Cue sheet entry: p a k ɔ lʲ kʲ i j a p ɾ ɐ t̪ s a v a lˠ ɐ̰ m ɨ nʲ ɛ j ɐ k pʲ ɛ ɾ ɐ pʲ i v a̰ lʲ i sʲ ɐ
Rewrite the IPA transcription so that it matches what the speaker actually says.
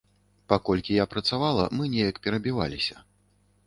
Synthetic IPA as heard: p a k ɔ lʲ kʲ i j a p ɾ ɐ t̪ s a v a lˠ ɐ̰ m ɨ nʲ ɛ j ɐ k pʲ ɛ ɾ ɐ bʲ i v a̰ lʲ i sʲ ɐ